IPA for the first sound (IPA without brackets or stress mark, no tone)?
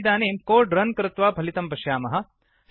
d̪